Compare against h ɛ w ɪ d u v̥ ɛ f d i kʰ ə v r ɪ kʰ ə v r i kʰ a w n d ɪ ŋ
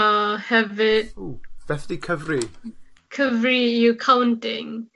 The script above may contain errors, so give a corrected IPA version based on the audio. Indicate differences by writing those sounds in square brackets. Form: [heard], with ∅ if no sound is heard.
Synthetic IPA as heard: h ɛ [v] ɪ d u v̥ ɛ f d i kʰ ə v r [i] kʰ ə v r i kʰ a w n [t] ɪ ŋ